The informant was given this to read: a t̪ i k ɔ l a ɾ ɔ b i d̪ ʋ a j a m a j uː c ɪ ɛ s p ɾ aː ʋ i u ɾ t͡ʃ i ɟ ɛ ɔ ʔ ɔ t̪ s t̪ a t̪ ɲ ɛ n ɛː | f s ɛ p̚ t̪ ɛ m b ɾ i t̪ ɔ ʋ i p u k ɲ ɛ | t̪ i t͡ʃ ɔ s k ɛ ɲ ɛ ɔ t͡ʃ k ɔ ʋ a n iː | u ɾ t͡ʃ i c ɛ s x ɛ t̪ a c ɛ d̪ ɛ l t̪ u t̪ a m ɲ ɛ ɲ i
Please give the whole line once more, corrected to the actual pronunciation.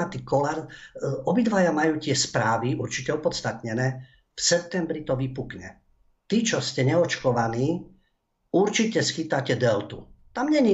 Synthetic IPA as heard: a t̪ i k ɔ l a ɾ ɔ b i d̪ ʋ a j a m a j uː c ɪ ɛ s p ɾ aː ʋ i u ɾ t͡ʃ i c ɛ ɔ p ɔ t̪ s t̪ a t̪ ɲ ɛ n ɛː | f s ɛ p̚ t̪ ɛ m b ɾ i t̪ ɔ ʋ i p u k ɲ ɛ | t̪ i t͡ʃ ɔ s c ɛ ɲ ɛ ɔ t͡ʃ k ɔ ʋ a n iː | u ɾ t͡ʃ i c ɛ s x i t̪ a c ɛ d̪ ɛ l t̪ u t̪ a m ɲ ɛ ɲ i